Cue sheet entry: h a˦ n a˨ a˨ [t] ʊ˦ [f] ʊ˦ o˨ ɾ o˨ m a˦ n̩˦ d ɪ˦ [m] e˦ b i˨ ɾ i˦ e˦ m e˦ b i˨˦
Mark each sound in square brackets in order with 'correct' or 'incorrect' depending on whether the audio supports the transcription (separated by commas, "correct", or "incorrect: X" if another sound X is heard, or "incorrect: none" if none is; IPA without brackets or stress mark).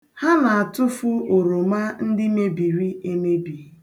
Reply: correct, correct, correct